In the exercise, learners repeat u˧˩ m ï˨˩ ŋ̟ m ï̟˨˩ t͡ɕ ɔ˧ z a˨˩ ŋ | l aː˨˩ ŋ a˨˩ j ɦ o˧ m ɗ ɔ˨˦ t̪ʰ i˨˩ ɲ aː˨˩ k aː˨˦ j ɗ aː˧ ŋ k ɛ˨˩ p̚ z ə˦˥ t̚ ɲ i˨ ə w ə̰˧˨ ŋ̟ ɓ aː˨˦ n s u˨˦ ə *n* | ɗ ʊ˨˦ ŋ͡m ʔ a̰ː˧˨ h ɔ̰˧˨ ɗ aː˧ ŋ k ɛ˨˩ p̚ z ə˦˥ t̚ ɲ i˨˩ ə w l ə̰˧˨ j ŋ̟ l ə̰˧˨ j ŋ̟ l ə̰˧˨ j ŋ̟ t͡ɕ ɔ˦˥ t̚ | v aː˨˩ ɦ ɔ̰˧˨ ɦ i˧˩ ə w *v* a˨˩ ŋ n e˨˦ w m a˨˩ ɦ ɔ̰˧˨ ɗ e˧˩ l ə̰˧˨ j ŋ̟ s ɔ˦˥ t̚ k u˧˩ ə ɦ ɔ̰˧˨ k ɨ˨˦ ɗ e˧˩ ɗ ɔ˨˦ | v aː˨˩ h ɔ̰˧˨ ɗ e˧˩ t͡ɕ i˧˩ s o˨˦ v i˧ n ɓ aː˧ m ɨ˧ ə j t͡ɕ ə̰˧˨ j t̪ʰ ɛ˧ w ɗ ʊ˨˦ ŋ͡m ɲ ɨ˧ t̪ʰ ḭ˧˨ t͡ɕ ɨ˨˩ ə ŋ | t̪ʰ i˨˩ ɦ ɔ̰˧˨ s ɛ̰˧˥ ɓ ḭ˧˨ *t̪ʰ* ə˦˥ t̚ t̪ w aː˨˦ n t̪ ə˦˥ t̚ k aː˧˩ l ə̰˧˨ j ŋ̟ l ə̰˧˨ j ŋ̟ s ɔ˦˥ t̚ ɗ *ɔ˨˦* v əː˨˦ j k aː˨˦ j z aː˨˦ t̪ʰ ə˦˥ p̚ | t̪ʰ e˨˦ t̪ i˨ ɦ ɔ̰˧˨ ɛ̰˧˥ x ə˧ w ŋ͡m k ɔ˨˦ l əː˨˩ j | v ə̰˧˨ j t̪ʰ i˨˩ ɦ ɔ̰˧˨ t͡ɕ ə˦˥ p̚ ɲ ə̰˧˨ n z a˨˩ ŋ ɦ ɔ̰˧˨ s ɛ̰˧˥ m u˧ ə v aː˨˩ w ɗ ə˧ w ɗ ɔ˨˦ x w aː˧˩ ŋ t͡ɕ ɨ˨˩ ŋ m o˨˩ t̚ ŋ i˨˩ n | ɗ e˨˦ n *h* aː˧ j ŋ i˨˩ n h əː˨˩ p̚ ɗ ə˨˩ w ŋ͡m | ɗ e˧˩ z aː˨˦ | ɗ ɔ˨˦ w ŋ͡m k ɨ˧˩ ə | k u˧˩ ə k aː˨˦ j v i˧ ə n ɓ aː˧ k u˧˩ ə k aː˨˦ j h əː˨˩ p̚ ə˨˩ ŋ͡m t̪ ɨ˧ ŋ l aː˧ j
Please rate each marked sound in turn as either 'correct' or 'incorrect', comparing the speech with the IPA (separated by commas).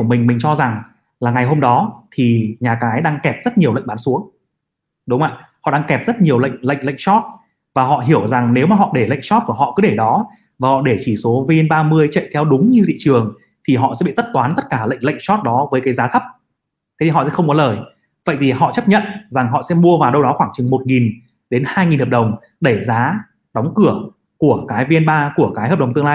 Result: incorrect, incorrect, incorrect, correct, correct